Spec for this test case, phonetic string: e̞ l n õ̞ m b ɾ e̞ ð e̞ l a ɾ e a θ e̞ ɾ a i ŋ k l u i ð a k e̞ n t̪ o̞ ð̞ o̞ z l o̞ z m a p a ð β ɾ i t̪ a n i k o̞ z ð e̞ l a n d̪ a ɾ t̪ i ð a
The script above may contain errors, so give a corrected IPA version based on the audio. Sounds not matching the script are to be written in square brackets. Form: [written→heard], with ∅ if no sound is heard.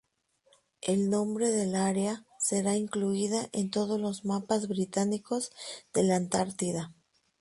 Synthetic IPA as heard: e̞ l n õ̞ m b ɾ e̞ ð e̞ l a ɾ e a [θ→s] e̞ ɾ a i ŋ k l u i ð a [k→ʔ] e̞ n t̪ o̞ ð̞ o̞ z l o̞ z m a p a [ð→z] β ɾ i t̪ a n i k o̞ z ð e̞ l a n [d̪→t̪] a ɾ t̪ i ð a